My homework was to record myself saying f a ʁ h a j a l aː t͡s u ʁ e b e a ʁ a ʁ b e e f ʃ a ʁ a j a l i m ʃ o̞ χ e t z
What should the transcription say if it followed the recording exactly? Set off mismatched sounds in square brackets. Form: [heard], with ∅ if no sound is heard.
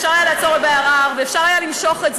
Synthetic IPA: [ʃ] a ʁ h a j a l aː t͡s [o] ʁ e b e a ʁ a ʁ [v] e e f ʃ a ʁ a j a l i m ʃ o̞ χ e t z

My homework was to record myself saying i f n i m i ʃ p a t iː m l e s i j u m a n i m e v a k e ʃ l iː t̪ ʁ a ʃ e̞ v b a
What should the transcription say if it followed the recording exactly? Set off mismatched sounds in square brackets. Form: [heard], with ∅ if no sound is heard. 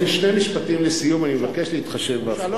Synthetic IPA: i [ʃ] n [e] m i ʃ p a t [i] m l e s i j u m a n i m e v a k e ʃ l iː t̪ [χ] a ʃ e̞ v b a

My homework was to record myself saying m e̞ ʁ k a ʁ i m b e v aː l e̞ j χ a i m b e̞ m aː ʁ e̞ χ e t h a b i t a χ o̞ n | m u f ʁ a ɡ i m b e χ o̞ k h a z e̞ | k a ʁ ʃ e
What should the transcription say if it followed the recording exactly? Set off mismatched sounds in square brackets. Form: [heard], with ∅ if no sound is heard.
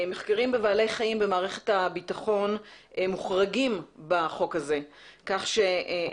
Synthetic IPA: m e̞ [χ] k a ʁ i m b e v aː l e̞ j χ a i m b e̞ m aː ʁ e̞ χ e t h a b i t a χ o̞ n | m u [χ] ʁ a ɡ i m b [a] χ o̞ k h a z e̞ | k a [χ] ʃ e

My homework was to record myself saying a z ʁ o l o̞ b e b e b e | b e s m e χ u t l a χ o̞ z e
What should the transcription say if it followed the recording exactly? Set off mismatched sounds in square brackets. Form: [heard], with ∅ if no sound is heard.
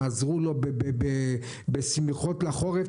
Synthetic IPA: a z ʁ [u] l o̞ b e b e b e | b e s m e χ [o] t l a χ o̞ [ʁ] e

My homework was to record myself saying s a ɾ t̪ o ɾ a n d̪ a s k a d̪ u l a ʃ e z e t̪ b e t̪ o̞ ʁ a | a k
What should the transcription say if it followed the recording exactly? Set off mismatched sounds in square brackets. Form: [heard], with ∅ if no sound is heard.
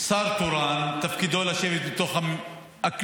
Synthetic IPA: s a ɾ t̪ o ɾ a n [t̪] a [f] k [i] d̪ [o] l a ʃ e [v] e t̪ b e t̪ o̞ [χ] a | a k

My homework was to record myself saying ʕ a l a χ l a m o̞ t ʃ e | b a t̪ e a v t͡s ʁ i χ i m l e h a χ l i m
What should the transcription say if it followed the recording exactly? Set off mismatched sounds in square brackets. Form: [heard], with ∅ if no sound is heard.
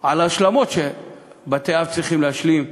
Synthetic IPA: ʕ a l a [ʃ] l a m o̞ t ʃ e | b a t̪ e a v t͡s ʁ i χ i m l e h a [ʃ] l i m

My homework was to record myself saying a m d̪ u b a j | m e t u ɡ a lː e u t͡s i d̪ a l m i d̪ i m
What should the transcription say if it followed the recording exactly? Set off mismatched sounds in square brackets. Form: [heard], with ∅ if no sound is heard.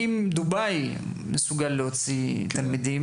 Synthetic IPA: [i] m d̪ u b a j | m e [s] u ɡ a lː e [o] t͡s i [t̪] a l m i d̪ i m

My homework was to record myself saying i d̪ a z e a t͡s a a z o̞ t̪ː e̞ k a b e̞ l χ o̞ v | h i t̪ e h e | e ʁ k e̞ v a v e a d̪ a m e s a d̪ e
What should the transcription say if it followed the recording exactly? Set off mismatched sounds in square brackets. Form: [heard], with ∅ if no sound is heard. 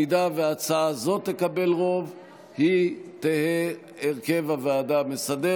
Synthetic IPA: i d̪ a [v] e a t͡s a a z o̞ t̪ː e̞ k a b e̞ l [ʁ] o̞ v | h i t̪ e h e | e ʁ k e̞ v a v e a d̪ a m e s a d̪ e

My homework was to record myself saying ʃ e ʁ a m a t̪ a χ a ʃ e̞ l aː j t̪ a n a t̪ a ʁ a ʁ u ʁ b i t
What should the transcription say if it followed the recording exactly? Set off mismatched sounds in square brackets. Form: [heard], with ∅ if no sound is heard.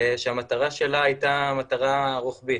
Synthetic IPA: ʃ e [∅] a m a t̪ a [ʁ] a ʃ e̞ l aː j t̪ a [m] a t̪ a ʁ a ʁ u [χ] b i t

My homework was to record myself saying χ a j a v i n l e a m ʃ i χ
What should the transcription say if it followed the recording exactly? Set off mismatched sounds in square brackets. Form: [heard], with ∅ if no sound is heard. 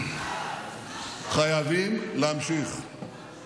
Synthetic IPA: χ a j a v i [m] l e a m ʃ i χ

